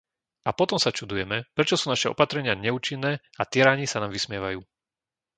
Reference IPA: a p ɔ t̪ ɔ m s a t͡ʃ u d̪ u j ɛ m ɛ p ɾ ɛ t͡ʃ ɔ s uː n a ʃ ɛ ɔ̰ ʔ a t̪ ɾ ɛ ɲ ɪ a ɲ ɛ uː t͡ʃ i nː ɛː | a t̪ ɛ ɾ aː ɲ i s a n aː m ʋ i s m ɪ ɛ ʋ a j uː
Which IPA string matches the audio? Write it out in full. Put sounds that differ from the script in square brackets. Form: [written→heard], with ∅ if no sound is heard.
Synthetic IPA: a p ɔ t̪ ɔ m s a t͡ʃ u d̪ u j ɛ m ɛ p ɾ ɛ t͡ʃ ɔ s uː n a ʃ ɛ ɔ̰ [ʔ→p] a t̪ ɾ ɛ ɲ ɪ a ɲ ɛ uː t͡ʃ i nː ɛː | a t̪ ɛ ɾ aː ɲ i s a n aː m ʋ i s m ɪ ɛ ʋ a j uː